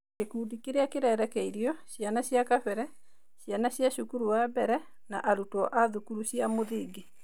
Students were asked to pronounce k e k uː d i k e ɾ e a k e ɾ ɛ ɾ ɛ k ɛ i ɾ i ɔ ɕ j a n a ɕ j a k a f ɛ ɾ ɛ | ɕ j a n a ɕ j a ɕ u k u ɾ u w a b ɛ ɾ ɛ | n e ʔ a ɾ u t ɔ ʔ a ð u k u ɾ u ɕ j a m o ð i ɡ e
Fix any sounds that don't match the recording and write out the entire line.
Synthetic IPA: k e k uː d i k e ɾ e a k e ɾ ɛ ɾ ɛ k ɛ i ɾ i ɔ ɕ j a n a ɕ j a k a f ɛ ɾ ɛ | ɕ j a n a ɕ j a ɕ u k u ɾ u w a b ɛ ɾ ɛ | n a ʔ a ɾ u t ɔ ʔ a ð u k u ɾ u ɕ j a m o ð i ɡ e

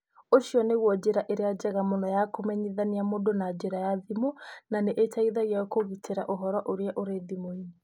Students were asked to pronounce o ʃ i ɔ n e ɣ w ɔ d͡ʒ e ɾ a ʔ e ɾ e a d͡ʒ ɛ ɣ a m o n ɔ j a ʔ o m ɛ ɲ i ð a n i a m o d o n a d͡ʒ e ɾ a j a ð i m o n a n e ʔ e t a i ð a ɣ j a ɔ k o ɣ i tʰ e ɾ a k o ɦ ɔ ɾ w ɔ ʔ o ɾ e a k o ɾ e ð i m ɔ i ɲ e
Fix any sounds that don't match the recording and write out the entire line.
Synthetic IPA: o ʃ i ɔ n e ɣ w ɔ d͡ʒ e ɾ a ʔ e ɾ e a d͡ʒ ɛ ɣ a m o n ɔ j a k o m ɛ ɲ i ð a n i a m o d o n a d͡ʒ e ɾ a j a ð i m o n a n e ʔ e t a i ð a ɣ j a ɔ k o ɣ i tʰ e ɾ a ʔ o ɦ ɔ ɾ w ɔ ʔ o ɾ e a ʔ o ɾ e ð i m o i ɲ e

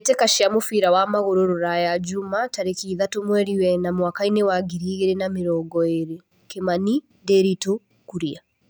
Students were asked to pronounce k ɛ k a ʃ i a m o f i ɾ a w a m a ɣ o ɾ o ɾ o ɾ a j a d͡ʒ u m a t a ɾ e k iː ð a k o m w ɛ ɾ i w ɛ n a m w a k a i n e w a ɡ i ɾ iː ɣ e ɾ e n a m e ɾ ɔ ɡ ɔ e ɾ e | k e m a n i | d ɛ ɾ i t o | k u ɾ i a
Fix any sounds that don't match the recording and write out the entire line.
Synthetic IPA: t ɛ k a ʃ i a m o f i ɾ a w a m a ɣ o ɾ o ɾ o ɾ a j a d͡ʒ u m a t a ɾ e k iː ð a t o m w ɛ ɾ i w ɛ n a m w a k a i n e w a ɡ i ɾ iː ɣ e ɾ e n a m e ɾ ɔ ɡ ɔ e ɾ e | k e m a n i | d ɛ ɾ i t o | k u ɾ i a

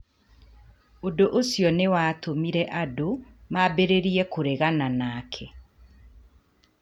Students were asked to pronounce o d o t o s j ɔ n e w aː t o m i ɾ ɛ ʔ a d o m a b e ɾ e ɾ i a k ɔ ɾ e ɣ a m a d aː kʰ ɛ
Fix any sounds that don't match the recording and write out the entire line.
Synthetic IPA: o d o ʔ o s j ɔ n e w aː t o m i ɾ ɛ ʔ a d o m a b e ɾ e ɾ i ɛ k o ɾ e ɣ a n a n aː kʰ ɛ

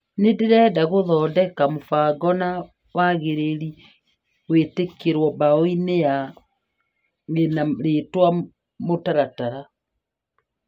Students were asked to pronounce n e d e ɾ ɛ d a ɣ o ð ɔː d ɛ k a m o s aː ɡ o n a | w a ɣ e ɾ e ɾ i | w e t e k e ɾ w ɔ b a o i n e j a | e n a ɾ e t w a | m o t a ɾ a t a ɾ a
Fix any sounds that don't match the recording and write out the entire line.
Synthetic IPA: n e d e ɾ ɛ d a ɣ o ð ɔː d ɛ k a m o f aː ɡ ɔ n a | w a ɣ e ɾ e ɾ i | w e t e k e ɾ w ɔ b a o i n e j a | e n a ɾ e t w a | m o t a ɾ a t a ɾ a

